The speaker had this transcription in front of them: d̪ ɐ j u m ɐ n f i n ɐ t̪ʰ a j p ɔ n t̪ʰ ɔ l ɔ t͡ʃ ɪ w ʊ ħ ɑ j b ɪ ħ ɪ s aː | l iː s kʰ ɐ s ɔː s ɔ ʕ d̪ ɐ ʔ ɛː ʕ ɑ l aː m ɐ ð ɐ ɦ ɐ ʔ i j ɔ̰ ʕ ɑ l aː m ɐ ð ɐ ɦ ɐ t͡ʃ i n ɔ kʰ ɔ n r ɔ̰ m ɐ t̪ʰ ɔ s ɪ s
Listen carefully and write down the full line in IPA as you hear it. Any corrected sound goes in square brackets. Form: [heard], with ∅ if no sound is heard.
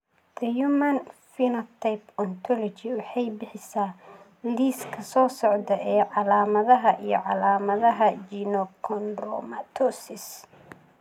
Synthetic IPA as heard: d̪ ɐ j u m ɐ n f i n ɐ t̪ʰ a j p ɔ n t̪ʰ ɔ l ɔ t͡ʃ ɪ w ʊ ħ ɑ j b ɪ ħ ɪ s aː | l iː s kʰ ɐ s ɔː s ɔ ʕ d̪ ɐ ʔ ɛː ʕ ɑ l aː m ɐ ð ɐ ɦ ɐ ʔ i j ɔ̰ ʕ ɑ l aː m ɐ ð ɐ ɦ ɐ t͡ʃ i n ɔ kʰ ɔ n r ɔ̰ m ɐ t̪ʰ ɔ s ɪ s

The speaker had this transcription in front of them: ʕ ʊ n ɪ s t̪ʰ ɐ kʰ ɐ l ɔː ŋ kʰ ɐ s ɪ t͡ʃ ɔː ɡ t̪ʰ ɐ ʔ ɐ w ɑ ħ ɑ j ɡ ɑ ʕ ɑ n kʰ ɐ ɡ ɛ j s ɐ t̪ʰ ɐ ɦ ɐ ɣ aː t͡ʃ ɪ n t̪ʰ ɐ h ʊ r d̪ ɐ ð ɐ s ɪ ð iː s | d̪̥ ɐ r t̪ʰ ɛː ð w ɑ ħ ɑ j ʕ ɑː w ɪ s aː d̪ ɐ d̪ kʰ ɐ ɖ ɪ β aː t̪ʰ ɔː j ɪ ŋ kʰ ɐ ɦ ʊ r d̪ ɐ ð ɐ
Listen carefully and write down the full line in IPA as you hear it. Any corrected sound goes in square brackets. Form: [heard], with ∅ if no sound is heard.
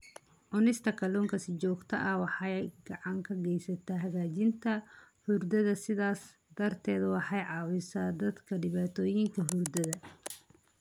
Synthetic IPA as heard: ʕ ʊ n ɪ s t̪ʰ ɐ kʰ ɐ l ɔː ŋ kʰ ɐ s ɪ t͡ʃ ɔː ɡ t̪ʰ ɐ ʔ ɐ w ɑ ħ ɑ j ɡ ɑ ʕ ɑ [ŋ] kʰ ɐ ɡ ɛ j s ɐ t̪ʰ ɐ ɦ ɐ ɣ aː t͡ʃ ɪ n t̪ʰ ɐ h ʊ r d̪ ɐ ð ɐ s ɪ ð [aː] s | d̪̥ ɐ r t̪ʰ ɛː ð w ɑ ħ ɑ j ʕ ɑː w ɪ s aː d̪ ɐ d̪ kʰ ɐ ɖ ɪ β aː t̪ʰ ɔː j ɪ ŋ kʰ ɐ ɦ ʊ r d̪ ɐ ð ɐ

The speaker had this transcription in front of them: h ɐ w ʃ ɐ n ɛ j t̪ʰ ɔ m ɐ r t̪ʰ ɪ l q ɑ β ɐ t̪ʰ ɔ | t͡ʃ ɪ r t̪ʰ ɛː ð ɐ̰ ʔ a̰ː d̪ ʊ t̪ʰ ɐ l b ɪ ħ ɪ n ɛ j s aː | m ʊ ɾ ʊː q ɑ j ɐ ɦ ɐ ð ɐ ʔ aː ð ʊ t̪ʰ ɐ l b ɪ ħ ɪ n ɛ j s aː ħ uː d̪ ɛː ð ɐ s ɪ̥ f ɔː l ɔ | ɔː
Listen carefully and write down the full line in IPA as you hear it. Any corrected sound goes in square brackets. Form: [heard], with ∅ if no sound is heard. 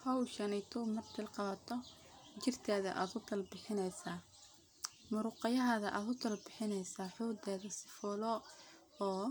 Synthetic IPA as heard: h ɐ w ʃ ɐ n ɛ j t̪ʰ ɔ m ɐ r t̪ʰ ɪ l q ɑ β ɐ t̪ʰ ɔ | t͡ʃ ɪ r t̪ʰ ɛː ð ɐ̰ ʔ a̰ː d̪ ʊ t̪ʰ ɐ l b ɪ ħ ɪ n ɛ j s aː | m ʊ ɾ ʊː q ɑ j ɐ ɦ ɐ ð ɐ ʔ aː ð ʊ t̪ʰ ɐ l b ɪ ħ ɪ n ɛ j s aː ħ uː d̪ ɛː ð ɐ s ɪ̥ f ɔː l ɔ | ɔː

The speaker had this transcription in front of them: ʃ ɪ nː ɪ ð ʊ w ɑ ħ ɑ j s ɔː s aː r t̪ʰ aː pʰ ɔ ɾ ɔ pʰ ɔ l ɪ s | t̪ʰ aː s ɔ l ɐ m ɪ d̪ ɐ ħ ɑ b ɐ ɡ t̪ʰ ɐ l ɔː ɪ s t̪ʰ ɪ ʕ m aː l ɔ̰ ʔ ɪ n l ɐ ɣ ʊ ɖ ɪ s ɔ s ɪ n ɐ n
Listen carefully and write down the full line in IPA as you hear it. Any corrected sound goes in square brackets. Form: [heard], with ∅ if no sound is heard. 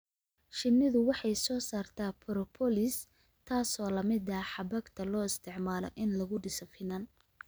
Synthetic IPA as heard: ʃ ɪ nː ɪ ð ʊ w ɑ ħ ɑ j s ɔː s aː r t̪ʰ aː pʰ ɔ ɾ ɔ pʰ ɔ l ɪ s | t̪ʰ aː s [ɔː] l ɐ m ɪ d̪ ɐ ħ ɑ b ɐ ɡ t̪ʰ ɐ l ɔː ɪ s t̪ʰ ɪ ʕ m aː l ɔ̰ ʔ ɪ n l ɐ ɣ ʊ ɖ ɪ s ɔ [f] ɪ n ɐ n

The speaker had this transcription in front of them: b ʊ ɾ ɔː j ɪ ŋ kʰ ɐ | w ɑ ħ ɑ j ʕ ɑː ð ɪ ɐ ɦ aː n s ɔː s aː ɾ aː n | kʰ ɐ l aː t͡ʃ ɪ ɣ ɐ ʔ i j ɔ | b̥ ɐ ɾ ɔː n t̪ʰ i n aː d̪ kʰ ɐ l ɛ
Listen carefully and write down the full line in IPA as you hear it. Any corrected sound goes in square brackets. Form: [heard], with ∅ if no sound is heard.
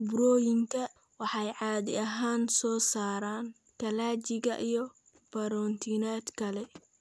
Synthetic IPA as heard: b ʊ ɾ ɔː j ɪ ŋ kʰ ɐ | w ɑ ħ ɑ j ʕ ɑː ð ɪ ɐ ɦ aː n s ɔː s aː ɾ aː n | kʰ ɐ l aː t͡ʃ ɪ ɣ ɐ ʔ i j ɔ | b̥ ɐ ɾ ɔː n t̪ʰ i n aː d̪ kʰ ɐ l ɛ

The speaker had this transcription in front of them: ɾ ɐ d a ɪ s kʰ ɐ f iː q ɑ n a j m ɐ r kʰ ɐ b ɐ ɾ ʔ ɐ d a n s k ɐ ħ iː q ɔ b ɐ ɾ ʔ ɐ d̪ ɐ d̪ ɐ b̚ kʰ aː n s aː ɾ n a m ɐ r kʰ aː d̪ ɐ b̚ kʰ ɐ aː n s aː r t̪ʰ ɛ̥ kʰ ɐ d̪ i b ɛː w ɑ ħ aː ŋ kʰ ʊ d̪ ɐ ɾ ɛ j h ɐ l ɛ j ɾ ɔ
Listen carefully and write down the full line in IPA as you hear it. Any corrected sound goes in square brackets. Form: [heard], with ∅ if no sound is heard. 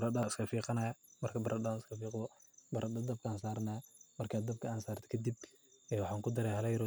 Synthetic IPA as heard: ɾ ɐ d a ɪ s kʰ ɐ f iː q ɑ n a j m ɐ r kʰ ɐ b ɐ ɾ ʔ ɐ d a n s k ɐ [f] iː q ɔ b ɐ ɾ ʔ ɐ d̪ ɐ d̪ ɐ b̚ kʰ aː n s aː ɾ n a m ɐ r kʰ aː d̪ ɐ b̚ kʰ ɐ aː n s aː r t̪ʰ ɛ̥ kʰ ɐ d̪ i b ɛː w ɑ ħ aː ŋ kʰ ʊ d̪ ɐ ɾ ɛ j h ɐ l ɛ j ɾ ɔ

